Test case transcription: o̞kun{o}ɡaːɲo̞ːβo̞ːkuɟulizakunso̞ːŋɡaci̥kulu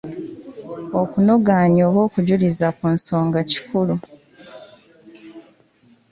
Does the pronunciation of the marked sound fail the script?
no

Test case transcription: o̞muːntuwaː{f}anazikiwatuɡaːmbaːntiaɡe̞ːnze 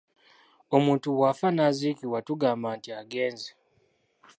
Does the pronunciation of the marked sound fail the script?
no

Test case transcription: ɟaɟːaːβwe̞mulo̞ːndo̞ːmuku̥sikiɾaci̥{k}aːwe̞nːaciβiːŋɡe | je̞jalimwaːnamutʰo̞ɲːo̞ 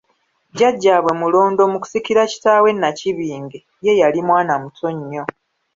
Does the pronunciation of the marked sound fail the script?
yes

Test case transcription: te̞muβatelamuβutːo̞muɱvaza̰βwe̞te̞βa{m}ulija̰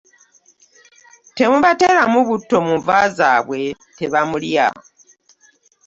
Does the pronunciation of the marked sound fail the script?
no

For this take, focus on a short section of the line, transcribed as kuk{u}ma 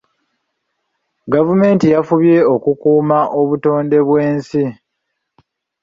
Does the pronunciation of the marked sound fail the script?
yes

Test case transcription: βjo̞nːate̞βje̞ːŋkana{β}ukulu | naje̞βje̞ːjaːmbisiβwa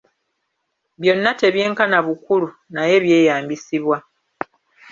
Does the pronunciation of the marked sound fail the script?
no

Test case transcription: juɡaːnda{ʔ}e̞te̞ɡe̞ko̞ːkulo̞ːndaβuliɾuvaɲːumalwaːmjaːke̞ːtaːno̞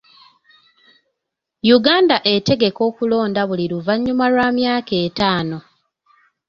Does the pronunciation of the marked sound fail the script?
no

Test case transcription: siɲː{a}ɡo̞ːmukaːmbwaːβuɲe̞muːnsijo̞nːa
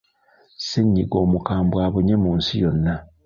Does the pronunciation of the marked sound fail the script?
yes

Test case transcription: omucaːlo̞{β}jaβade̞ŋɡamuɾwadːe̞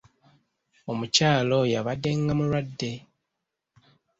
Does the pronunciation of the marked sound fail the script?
yes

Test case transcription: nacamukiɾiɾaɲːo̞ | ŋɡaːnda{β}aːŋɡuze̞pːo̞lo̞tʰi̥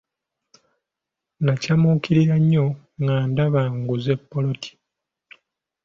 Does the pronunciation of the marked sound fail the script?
no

